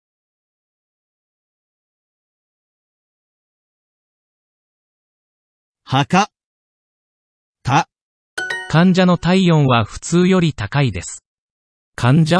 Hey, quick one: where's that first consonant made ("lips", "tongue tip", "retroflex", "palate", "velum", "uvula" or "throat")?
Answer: throat